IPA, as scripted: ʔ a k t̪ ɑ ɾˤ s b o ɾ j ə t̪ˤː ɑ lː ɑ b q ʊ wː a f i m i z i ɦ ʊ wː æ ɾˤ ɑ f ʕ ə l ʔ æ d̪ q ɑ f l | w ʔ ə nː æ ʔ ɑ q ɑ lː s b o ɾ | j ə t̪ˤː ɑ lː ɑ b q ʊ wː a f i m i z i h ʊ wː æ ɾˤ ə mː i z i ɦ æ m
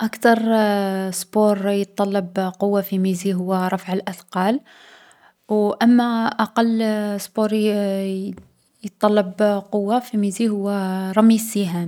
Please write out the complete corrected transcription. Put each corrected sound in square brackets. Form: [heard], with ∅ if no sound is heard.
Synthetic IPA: ʔ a k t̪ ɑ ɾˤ s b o ɾ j ə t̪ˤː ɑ lː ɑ b q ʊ wː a f i m i z i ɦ ʊ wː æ ɾˤ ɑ f ʕ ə l ʔ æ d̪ q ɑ [∅] l | w ʔ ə [mː] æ ʔ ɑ q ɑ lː s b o ɾ | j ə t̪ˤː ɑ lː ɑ b q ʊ wː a f i m i z i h ʊ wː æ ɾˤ [ɑ] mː i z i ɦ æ m

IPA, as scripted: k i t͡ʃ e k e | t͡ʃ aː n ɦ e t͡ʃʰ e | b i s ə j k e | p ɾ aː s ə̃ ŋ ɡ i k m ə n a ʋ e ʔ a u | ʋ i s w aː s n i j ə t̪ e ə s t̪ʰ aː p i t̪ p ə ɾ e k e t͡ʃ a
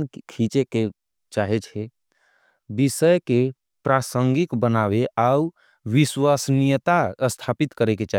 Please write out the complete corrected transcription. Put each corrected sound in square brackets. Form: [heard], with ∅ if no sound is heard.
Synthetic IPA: [kʰ] i t͡ʃ e k e | t͡ʃ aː [∅] ɦ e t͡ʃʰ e | b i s ə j k e | p ɾ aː s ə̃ ŋ ɡ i k [b] ə n a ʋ e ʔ a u | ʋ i s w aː s n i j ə t̪ [a] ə s t̪ʰ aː p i t̪ [k] ə ɾ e k e t͡ʃ a

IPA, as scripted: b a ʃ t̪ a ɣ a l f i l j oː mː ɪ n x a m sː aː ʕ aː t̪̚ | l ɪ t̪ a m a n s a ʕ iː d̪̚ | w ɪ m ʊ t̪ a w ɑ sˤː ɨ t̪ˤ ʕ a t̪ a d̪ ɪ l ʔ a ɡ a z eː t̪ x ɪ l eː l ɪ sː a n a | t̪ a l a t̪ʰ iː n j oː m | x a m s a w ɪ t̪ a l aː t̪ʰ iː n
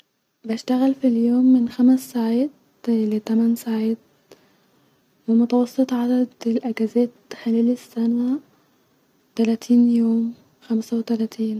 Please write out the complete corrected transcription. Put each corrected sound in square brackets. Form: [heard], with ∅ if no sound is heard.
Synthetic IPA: b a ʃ t̪ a ɣ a l f i l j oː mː ɪ n x a m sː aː ʕ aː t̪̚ | l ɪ t̪ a m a n s a ʕ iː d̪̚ | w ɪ m ʊ t̪ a w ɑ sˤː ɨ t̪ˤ ʕ a [d̪] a d̪ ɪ l ʔ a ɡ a z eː t̪ x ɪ l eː l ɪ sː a n a | t̪ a l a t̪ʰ iː n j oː m | x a m s a w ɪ t̪ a l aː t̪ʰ iː n

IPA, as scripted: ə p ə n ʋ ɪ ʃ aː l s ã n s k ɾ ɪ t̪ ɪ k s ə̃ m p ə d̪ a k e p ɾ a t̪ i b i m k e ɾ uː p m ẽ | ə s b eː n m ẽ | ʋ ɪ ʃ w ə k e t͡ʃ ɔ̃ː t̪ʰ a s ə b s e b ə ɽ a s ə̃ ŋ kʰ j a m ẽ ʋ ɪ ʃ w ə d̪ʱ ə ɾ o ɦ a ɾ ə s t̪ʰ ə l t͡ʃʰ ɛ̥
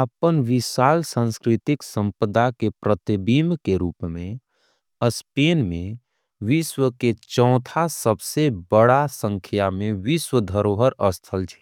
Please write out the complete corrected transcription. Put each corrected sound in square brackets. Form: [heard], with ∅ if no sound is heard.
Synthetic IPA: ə p ə n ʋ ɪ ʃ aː l s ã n s k ɾ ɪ t̪ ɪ k s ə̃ m p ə d̪ a k e p ɾ [ə] t̪ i b i m k e ɾ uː p m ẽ | ə s [p] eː n m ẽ | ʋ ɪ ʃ w ə k e t͡ʃ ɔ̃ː t̪ʰ a s ə b s e b ə ɽ a s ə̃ ŋ kʰ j a m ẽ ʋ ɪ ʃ w ə d̪ʱ ə ɾ o ɦ [ə] ɾ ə s t̪ʰ ə l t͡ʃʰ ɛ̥

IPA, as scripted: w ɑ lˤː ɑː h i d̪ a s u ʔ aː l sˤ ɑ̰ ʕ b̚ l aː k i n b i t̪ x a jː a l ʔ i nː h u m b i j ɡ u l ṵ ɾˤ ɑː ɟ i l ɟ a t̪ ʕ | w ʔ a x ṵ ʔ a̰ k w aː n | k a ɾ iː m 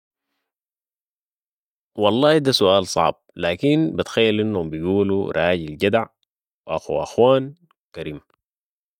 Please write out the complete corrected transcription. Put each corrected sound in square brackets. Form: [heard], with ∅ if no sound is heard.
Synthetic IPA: w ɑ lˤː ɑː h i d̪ a s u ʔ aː l sˤ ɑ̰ ʕ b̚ l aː k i n b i t̪ x a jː a l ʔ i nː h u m b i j ɡ [uː] l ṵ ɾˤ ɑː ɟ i l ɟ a [d̪] ʕ | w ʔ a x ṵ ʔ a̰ [x] w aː n | k a ɾ iː m

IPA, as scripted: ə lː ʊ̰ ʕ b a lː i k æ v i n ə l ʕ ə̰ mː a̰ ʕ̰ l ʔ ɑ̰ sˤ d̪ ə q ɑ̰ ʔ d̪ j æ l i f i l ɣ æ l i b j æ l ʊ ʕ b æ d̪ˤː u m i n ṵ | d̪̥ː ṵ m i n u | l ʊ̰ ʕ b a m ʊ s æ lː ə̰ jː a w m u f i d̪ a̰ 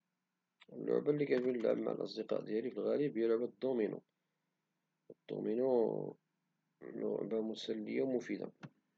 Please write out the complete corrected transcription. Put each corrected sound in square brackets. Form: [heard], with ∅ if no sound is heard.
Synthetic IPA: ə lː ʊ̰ ʕ b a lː i k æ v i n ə l ʕ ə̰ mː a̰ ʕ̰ l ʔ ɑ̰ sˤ d̪ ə q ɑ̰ ʔ d̪ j æ l i f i l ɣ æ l i b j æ l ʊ ʕ b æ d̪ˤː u m i n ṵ | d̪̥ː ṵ m i n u | l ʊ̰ ʕ b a m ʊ s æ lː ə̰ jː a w m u f i d̪ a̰

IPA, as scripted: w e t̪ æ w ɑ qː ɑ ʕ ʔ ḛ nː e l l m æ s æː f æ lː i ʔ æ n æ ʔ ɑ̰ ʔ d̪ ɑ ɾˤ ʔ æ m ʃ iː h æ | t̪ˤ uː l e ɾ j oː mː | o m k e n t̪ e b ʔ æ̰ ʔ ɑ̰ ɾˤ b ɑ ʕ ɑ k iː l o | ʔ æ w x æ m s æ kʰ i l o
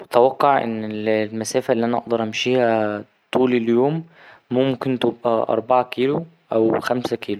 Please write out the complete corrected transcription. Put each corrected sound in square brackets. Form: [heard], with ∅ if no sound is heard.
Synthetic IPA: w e t̪ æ w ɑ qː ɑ ʕ ʔ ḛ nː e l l m æ s æː f æ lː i ʔ æ n æ ʔ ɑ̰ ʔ d̪ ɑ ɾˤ ʔ æ m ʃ iː h æ | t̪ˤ uː l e [l] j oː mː | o m k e n t̪ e b ʔ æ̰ ʔ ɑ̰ ɾˤ b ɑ ʕ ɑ k iː l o | ʔ æ w x æ m s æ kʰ [iː] l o

